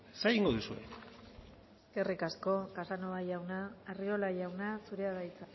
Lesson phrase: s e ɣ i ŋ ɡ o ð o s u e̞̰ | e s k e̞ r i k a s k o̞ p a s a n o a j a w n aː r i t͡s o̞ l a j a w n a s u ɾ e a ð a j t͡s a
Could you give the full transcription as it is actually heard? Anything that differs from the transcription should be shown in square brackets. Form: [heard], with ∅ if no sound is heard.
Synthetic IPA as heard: s e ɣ i ŋ ɡ o ð [u] s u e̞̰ | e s k e̞ r i k a s k o̞ [k] a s a n o a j a w n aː r i [∅] o̞ l a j a w n a s u ɾ e a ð a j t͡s a